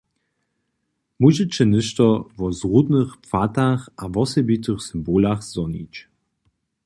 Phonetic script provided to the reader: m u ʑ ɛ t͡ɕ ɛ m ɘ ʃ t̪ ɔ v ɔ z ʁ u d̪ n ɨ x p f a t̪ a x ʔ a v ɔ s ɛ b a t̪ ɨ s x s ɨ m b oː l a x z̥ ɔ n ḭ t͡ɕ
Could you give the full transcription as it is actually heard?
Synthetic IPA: m u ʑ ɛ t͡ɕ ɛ n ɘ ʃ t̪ ɔ v ɔ z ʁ u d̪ n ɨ x p f a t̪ a x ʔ a v ɔ s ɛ b i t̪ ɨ x s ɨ m b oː l a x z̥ ɔ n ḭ t͡ɕ